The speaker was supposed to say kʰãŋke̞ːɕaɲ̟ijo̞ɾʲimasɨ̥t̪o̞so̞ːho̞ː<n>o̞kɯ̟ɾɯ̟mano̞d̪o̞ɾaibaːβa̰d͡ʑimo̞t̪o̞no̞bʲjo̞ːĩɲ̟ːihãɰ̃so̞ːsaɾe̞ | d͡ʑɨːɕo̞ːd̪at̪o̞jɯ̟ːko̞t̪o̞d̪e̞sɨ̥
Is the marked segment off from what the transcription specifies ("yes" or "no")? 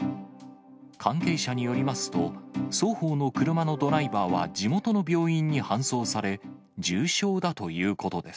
no